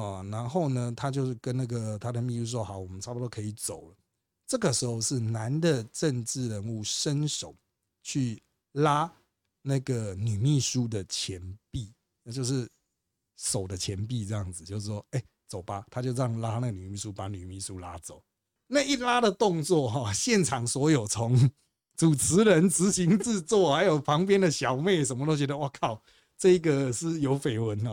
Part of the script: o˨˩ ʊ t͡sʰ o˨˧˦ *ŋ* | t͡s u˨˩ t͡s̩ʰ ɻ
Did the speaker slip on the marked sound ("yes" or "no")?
no